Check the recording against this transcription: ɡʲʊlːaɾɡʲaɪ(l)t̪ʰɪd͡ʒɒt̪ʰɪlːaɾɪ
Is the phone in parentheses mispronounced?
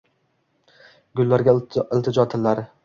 no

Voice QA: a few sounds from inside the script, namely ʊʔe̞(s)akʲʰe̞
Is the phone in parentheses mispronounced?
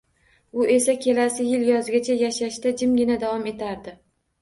no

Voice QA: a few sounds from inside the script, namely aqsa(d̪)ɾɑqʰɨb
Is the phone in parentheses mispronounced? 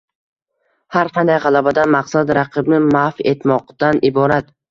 no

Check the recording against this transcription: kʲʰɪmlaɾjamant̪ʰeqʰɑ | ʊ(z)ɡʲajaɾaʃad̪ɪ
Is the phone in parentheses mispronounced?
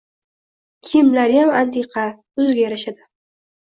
no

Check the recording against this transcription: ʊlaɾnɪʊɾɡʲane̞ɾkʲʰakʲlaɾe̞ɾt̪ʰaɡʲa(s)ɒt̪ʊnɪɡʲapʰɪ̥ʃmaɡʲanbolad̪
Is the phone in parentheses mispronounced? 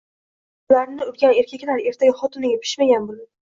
yes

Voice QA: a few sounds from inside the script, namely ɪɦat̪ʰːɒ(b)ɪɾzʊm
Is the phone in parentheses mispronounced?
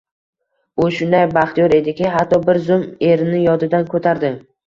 no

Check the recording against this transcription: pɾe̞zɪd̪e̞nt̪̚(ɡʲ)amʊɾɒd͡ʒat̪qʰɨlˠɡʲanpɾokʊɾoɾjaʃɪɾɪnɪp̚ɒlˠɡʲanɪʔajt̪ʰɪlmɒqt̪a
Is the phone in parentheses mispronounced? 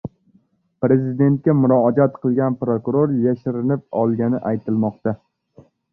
yes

